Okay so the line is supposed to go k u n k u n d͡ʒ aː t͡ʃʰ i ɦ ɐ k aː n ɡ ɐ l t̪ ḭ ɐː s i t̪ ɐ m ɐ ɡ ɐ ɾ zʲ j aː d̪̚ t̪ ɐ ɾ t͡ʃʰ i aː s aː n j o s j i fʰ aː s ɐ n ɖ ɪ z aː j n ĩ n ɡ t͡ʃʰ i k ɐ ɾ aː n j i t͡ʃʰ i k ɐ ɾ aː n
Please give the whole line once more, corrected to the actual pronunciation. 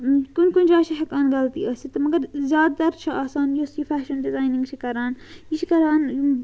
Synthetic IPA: k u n k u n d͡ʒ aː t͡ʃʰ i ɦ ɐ k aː n ɡ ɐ l t̪ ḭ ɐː s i t̪ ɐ m ɐ ɡ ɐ ɾ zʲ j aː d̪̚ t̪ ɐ ɾ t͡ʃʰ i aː s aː n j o s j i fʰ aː ʃ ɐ n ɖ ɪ z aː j n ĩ ŋ ɡ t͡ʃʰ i k ɐ ɾ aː n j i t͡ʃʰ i k ɐ ɾ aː n